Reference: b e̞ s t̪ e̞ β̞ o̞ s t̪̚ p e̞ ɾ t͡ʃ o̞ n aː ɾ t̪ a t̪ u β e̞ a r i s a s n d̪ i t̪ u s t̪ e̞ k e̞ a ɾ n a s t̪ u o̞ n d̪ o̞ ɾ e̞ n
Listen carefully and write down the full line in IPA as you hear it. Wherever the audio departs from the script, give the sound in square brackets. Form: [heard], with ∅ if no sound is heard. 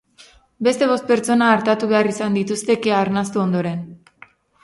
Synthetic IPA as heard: b e̞ s t̪ e̞ β̞ o̞ s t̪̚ p e̞ ɾ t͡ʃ o̞ n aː ɾ t̪ a t̪ u β e̞ a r i s a [∅] n d̪ i t̪ u s t̪ e̞ k e̞ a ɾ n a s t̪ u o̞ n d̪ o̞ ɾ e̞ n